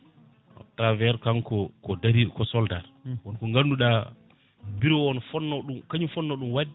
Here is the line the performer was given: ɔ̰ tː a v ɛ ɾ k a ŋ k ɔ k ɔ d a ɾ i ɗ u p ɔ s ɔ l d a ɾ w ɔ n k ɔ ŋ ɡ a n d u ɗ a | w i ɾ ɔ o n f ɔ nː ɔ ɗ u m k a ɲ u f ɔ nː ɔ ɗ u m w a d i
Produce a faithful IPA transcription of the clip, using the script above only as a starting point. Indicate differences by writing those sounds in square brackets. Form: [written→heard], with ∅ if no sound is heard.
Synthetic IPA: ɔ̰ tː a v ɛ ɾ k a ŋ k ɔ k ɔ d a ɾ i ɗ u [p→k] ɔ s ɔ l d a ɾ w ɔ n k ɔ ŋ ɡ a n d u ɗ a | [w→b] i ɾ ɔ [o→ɔ] n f ɔ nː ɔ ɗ u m k a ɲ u f ɔ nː ɔ ɗ u m w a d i